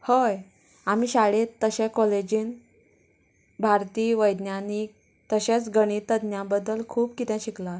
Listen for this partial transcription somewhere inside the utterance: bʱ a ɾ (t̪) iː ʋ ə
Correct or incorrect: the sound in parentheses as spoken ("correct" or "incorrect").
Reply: correct